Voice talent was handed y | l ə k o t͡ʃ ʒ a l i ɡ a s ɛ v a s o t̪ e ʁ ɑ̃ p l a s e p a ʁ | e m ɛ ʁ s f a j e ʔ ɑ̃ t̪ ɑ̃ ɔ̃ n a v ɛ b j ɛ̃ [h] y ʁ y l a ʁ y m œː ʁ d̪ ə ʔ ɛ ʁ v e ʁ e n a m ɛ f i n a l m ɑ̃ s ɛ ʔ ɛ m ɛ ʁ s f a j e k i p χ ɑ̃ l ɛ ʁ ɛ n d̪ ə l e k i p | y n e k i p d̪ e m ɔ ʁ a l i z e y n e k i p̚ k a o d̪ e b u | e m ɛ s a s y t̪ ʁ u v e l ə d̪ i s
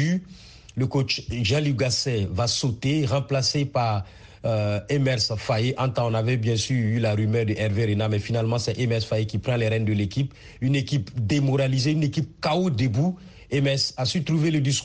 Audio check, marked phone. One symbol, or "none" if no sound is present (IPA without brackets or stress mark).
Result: s